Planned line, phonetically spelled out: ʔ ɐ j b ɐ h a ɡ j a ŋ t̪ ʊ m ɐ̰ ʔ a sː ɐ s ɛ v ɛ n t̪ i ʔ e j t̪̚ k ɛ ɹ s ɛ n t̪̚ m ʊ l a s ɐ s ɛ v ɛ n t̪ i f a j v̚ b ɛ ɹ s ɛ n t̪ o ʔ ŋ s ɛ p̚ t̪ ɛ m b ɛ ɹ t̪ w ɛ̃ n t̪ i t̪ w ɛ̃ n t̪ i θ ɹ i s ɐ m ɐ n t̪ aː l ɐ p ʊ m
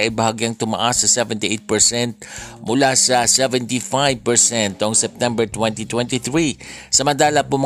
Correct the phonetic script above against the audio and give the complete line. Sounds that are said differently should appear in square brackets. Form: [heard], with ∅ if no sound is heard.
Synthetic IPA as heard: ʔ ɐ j b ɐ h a ɡ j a ŋ t̪ ʊ m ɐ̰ ʔ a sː ɐ s ɛ v ɛ n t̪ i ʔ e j t̪̚ [p] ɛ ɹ s ɛ n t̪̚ m ʊ l a s ɐ s ɛ v ɛ n t̪ i f a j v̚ [p] ɛ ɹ s ɛ n t̪ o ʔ ŋ s ɛ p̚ t̪ ɛ m b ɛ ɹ t̪ w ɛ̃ n t̪ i t̪ w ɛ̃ n t̪ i θ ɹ i s ɐ m ɐ n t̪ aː l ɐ p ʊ m